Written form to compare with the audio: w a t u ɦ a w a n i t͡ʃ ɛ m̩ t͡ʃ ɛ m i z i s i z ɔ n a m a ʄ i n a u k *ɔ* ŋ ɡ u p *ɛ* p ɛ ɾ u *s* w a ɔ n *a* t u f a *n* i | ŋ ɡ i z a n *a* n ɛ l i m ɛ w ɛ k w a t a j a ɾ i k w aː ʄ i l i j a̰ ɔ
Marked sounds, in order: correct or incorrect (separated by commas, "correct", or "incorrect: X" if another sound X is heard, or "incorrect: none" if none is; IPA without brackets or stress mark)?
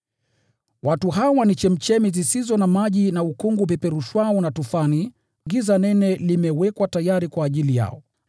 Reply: incorrect: u, correct, incorrect: ʃ, correct, correct, incorrect: ɛ